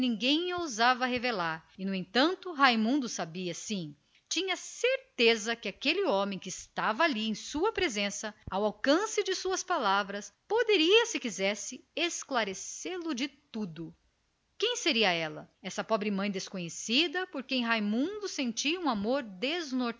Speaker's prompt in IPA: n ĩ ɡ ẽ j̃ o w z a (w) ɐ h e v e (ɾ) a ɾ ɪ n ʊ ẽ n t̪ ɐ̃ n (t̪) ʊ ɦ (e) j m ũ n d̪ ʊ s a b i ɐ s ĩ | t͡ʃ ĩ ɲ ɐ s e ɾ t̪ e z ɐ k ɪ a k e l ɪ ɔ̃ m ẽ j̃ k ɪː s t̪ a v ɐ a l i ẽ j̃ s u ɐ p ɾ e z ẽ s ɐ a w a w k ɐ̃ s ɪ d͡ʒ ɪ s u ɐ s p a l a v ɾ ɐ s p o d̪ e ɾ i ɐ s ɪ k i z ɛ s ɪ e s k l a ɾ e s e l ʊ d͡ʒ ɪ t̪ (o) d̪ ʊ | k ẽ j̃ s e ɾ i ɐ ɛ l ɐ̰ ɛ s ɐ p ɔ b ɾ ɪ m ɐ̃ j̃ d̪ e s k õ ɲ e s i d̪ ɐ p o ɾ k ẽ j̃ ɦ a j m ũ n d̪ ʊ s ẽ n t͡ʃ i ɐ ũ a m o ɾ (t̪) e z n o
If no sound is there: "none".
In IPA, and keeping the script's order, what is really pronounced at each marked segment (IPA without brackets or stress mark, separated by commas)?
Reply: v, l, t̪, a, u, d̪